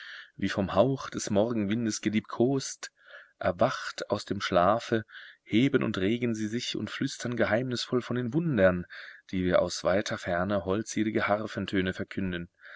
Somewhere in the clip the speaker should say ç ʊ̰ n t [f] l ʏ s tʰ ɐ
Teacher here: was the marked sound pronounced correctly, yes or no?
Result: yes